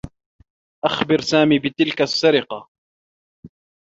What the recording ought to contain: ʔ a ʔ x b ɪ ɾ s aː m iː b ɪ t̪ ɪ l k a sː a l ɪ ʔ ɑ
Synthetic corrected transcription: ʔ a x b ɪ ɾ s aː m iː b ɪ t̪ ɪ l k a sː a ɾ ɪ q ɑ